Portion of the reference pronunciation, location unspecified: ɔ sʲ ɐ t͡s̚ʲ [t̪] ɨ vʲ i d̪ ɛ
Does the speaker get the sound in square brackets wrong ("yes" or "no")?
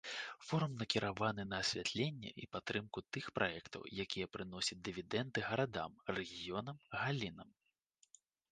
yes